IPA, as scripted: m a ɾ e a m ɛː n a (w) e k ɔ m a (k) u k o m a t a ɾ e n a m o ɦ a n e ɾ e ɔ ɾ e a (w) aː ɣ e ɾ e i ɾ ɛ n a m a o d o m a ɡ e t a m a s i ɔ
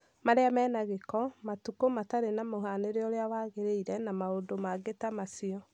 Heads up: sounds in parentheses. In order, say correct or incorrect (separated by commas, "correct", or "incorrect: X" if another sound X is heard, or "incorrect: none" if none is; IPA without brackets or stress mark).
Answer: incorrect: ɣ, incorrect: t, correct